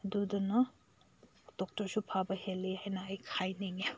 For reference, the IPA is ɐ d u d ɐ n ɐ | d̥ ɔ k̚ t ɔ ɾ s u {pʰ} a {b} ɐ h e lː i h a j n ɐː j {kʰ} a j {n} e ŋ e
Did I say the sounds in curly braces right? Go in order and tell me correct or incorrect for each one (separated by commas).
correct, correct, correct, correct